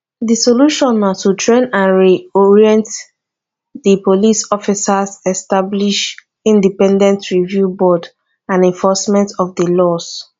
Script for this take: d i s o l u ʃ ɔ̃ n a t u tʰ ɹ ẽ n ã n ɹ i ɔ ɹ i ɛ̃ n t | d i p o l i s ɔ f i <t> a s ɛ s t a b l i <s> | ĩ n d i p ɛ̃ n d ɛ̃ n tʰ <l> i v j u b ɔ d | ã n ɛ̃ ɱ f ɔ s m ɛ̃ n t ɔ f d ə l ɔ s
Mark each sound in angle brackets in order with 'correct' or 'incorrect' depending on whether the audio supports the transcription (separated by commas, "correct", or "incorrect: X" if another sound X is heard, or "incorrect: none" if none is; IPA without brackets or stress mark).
incorrect: s, incorrect: ʃ, incorrect: ɹ